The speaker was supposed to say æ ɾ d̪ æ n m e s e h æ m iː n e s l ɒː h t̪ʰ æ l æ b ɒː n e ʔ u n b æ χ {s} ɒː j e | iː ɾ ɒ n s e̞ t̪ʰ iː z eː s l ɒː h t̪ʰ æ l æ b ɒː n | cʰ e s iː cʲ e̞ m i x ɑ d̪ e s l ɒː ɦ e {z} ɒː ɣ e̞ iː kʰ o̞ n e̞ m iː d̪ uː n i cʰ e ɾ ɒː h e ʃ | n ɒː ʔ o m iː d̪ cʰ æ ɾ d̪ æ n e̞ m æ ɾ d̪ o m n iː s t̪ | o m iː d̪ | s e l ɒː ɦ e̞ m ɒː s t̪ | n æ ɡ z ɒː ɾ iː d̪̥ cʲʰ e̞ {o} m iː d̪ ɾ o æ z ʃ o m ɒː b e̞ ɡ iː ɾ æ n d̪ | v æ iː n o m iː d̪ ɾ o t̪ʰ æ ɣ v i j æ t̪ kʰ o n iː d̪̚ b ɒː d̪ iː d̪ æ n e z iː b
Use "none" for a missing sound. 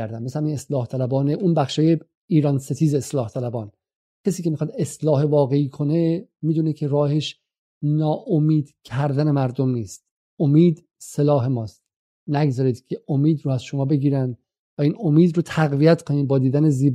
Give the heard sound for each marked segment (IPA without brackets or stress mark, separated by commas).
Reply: ʃ, v, o